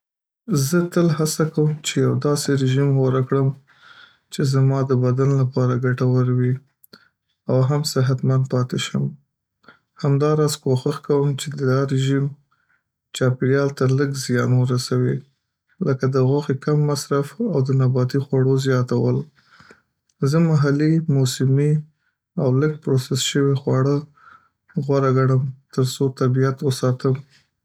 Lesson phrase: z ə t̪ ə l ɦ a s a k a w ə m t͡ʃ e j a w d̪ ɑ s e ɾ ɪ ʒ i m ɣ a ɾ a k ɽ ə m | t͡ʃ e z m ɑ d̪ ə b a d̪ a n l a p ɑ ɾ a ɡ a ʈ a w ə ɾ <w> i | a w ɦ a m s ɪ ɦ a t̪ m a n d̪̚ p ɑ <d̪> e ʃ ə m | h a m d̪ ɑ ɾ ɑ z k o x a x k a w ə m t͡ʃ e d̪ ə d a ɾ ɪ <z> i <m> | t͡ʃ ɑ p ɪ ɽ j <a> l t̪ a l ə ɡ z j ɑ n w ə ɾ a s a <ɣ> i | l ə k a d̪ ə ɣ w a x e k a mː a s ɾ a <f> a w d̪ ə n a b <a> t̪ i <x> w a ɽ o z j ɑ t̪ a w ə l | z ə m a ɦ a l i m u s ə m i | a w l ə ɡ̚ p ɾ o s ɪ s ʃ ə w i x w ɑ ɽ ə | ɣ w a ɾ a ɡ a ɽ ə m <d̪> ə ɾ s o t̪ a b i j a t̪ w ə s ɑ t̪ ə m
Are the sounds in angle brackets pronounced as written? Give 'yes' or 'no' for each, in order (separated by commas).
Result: yes, no, no, yes, no, no, yes, no, yes, no